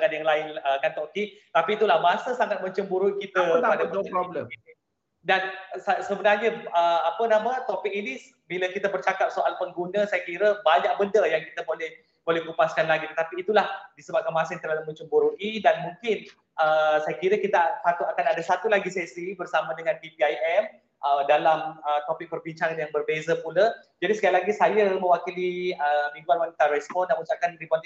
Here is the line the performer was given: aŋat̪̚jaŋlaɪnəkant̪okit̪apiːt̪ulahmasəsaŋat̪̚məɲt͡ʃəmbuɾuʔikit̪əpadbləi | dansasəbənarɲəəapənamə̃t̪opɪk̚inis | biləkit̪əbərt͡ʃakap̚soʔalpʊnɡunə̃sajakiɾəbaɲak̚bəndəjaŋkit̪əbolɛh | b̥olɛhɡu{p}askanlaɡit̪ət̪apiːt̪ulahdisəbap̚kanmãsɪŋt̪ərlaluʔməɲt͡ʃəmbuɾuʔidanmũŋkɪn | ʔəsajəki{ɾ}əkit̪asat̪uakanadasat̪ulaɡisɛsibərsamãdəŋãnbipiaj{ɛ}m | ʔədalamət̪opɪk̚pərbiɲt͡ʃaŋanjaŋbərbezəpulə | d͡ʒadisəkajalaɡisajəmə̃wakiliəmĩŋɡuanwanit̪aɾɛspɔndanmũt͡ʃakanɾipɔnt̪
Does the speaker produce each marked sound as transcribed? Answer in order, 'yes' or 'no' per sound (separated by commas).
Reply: yes, yes, yes